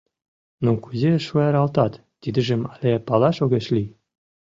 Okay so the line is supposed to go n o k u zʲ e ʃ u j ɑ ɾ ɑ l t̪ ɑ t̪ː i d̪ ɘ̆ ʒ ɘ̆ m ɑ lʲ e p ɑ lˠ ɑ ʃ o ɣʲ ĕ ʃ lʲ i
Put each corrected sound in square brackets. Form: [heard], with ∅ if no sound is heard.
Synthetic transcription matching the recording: n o k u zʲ e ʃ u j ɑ ɾ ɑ l t̪ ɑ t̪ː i d̪ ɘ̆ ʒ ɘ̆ m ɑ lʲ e p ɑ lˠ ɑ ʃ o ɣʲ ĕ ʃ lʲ i